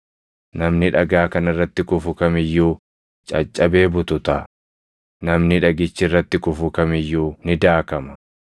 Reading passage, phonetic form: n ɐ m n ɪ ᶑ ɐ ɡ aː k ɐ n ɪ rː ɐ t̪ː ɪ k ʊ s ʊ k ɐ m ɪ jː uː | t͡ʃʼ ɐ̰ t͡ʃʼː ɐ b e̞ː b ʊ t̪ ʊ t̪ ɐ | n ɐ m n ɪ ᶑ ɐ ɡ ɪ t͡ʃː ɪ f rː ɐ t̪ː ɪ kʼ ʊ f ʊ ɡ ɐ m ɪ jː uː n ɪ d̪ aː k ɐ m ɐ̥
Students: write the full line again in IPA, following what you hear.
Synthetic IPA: n ɐ m n ɪ ᶑ ɐ ɡ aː k ɐ n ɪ rː ɐ t̪ː ɪ k ʊ f ʊ k ɐ m ɪ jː uː | t͡ʃʼ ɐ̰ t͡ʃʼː ɐ b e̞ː b ʊ t̪ ʊ t̪ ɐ | n ɐ m n ɪ ᶑ ɐ ɡ ɪ t͡ʃː ɪ rː ɐ t̪ː ɪ k ʊ f ʊ k ɐ m ɪ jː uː n ɪ d̪ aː k ɐ m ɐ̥

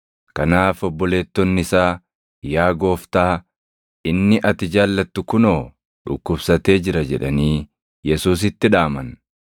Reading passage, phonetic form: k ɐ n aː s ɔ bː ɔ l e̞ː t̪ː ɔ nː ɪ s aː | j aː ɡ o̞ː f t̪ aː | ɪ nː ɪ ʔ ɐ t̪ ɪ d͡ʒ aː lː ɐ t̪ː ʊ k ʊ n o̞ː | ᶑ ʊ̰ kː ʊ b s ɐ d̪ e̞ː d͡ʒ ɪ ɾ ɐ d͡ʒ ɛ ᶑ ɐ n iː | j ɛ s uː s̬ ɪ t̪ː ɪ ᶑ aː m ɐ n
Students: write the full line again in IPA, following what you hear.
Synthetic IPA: k ɐ n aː f ɔ bː ɔ l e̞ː t̪ː ɔ nː ɪ s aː | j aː ɡ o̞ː f t̪ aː | ɪ nː ɪ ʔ ɐ t̪ ɪ d͡ʒ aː lː ɐ t̪ː ʊ k ʊ n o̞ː | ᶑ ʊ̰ kː ʊ b s ɐ t̪ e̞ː d͡ʒ ɪ ɾ ɐ d͡ʒ ɛ ᶑ ɐ n iː | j ɛ s uː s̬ ɪ t̪ː ɪ ᶑ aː m ɐ n

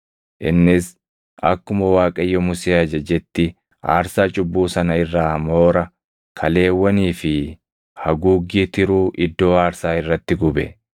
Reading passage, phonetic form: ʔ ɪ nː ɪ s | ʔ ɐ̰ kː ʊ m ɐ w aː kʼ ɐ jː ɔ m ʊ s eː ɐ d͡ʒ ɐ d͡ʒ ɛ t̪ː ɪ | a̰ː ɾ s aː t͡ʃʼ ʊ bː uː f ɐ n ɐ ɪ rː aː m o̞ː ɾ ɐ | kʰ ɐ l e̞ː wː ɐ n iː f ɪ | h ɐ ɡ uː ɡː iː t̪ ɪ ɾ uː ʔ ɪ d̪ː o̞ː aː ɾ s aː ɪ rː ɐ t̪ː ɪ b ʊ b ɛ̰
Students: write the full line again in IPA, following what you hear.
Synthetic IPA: ʔ ɪ nː ɪ s | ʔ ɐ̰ kː ʊ m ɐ w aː kʼ ɐ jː ɔ m ʊ s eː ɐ d͡ʒ ɐ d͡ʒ ɛ t̪ː ɪ | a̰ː ɾ s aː t͡ʃʼ ʊ bː uː s ɐ n ɐ ɪ rː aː m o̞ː ɾ ɐ | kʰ ɐ l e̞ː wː ɐ n iː f ɪ | h ɐ ɡ uː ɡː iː t̪ ɪ ɾ uː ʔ ɪ d̪ː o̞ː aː ɾ s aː ɪ rː ɐ t̪ː ɪ ɡ ʊ b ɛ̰

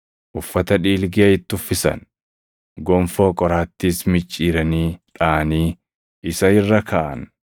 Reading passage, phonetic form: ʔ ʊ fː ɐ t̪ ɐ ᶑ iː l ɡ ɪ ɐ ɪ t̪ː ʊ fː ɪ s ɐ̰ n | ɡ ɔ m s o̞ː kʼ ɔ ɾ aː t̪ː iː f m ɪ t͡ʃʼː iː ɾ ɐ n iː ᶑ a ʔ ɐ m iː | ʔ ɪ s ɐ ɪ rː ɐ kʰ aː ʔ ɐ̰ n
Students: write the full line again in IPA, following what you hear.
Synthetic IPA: ʔ ʊ fː ɐ t̪ ɐ ᶑ iː l ɡ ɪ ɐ ɪ t̪ː ʊ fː ɪ s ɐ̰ n | ɡ ɔ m f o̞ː kʼ ɔ ɾ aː t̪ː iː s m ɪ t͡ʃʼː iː ɾ ɐ n iː ᶑ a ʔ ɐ n iː | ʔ ɪ s ɐ ɪ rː ɐ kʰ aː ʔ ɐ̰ n

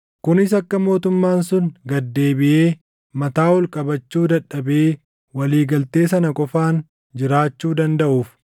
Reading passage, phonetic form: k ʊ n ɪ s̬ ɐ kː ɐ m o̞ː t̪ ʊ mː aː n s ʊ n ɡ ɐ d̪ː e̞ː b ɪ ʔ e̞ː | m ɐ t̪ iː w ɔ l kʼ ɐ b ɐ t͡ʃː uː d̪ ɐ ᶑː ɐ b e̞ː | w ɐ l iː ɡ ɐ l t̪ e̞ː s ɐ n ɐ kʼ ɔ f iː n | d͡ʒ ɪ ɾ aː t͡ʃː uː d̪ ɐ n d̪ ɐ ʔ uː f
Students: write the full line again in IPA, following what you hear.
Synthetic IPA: k ʊ n ɪ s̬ ɐ kː ɐ m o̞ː t̪ ʊ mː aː n s ʊ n ɡ ɐ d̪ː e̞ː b ɪ ʔ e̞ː | m ɐ t̪ aː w ɔ l kʼ ɐ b ɐ t͡ʃː uː d̪ ɐ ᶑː ɐ b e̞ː | w ɐ l iː ɡ ɐ l t̪ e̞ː s ɐ n ɐ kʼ ɔ f aː n | d͡ʒ ɪ ɾ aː t͡ʃː uː d̪ ɐ n d̪ ɐ ʔ uː f

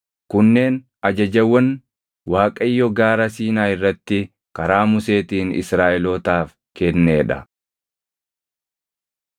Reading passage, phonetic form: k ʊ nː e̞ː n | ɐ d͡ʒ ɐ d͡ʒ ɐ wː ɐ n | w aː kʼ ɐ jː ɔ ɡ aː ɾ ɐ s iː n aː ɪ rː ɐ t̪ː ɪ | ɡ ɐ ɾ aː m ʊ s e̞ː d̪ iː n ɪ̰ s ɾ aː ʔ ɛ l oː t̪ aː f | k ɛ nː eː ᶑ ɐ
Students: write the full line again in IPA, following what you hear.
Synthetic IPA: k ʊ nː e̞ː n | ɐ d͡ʒ ɐ d͡ʒ ɐ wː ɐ n | w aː kʼ ɐ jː ɔ ɡ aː ɾ ɐ s iː n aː ɪ rː ɐ t̪ː ɪ | k ɐ ɾ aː m ʊ s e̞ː t̪ iː n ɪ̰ s ɾ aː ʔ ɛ l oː t̪ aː f | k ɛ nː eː ᶑ ɐ

